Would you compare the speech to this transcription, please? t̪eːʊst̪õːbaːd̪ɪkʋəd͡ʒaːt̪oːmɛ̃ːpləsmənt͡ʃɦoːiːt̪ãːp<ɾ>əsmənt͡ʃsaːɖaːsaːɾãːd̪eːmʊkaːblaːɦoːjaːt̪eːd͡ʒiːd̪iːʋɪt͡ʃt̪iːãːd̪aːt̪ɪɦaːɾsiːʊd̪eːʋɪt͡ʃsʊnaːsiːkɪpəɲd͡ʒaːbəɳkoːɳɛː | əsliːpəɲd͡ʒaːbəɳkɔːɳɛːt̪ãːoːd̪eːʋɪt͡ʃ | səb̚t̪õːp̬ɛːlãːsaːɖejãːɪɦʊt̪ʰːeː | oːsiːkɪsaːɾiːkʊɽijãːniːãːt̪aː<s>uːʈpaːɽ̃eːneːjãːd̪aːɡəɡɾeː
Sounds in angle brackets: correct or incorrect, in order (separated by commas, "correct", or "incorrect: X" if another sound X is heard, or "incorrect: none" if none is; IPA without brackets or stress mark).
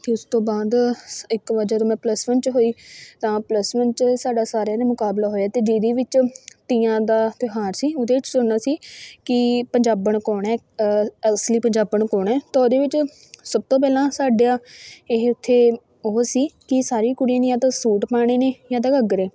incorrect: l, correct